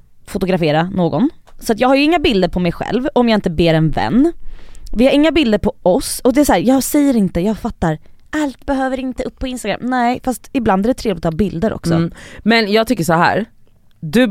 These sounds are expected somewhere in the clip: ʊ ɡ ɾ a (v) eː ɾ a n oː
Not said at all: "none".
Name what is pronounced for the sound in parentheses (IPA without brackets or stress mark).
f